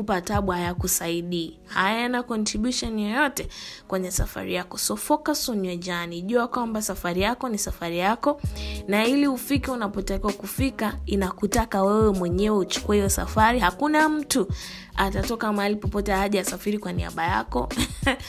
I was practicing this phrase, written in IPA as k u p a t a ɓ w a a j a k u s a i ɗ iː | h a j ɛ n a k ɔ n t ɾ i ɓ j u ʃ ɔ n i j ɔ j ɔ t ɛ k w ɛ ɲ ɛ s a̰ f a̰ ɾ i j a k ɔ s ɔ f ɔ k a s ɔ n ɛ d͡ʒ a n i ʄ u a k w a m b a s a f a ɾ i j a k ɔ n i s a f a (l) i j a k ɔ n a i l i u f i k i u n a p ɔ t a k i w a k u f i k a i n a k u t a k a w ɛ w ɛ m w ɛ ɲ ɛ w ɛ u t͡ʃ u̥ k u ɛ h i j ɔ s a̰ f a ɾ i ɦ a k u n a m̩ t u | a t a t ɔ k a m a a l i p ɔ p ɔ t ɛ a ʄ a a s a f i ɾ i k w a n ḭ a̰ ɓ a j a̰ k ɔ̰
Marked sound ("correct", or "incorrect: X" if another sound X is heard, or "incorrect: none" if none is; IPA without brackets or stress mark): incorrect: ɾ